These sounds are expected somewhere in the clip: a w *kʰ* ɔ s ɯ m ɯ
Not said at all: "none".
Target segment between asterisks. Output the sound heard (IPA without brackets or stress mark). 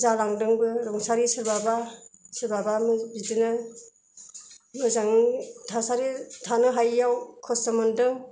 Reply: kʰ